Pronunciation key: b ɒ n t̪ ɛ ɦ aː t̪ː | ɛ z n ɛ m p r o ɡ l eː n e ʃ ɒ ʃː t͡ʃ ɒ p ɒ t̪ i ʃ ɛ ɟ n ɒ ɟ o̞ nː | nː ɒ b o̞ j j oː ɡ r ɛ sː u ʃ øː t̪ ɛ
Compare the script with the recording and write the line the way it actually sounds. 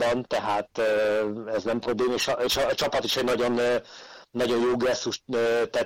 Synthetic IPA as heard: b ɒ n t̪ ɛ ɦ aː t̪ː | ɛ z n ɛ m p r o b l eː m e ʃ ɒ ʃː t͡ʃ ɒ p ɒ t̪ i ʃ ɛ ɟ n ɒ ɟ o̞ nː | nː ɒ ɟ o̞ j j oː ɡ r ɛ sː u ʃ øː t̪ ɛ